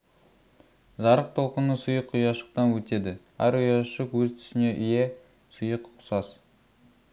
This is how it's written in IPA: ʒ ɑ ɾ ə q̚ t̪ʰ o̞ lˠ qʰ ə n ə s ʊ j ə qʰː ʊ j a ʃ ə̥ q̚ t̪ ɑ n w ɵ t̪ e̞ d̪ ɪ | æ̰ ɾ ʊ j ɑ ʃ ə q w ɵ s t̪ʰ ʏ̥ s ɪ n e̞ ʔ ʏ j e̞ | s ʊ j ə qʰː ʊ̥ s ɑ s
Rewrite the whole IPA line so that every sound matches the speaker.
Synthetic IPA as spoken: ʒ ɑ ɾ ə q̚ t̪ʰ o̞ lˠ q ə n ə s ʊ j ə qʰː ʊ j ɑ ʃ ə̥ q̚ t̪ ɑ n w ɵ t̪ e̞ d̪ ɪ | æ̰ ɾ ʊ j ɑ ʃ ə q w ɵ z t̪ʰ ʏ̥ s ɪ n e̞ ʔ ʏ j e̞ | s ʊ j ə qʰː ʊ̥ s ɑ s